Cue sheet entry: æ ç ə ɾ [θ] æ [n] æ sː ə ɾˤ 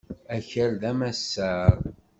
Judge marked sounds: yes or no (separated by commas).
no, no